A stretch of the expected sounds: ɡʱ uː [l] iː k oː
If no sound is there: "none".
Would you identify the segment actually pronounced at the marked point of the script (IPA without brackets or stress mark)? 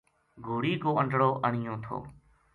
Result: ɽ